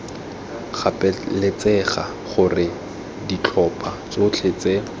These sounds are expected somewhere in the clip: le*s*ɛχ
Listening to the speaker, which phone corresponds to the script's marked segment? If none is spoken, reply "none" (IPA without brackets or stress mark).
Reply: t͡s